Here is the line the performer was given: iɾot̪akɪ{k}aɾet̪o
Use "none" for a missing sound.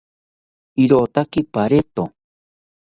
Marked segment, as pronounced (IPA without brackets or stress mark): p